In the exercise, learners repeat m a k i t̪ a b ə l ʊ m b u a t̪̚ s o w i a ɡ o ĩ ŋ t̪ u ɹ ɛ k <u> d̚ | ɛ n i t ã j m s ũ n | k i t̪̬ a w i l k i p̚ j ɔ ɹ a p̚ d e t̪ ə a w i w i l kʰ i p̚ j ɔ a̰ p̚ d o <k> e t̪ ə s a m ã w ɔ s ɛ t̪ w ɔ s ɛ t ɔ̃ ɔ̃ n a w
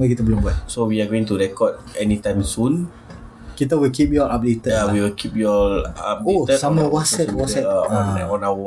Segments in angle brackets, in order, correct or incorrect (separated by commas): incorrect, incorrect